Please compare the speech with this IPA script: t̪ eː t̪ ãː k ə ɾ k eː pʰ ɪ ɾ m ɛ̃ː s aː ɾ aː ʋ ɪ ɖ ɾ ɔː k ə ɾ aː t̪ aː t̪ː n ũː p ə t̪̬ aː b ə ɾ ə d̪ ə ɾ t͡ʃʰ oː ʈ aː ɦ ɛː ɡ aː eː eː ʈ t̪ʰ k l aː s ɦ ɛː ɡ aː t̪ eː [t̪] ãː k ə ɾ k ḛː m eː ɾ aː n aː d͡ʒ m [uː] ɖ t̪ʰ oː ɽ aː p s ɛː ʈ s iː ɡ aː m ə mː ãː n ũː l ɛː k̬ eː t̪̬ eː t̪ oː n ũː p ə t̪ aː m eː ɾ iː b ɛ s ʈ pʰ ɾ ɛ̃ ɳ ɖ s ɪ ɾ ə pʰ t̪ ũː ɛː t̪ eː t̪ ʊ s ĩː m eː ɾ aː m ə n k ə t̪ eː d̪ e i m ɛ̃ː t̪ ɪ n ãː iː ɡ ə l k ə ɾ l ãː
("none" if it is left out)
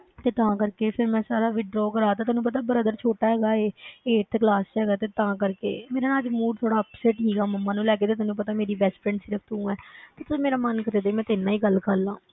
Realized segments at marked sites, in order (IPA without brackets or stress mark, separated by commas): t̪, uː